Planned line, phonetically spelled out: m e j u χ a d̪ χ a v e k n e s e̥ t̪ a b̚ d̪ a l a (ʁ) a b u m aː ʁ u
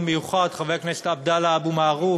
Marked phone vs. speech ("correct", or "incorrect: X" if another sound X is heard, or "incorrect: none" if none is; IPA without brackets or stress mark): incorrect: none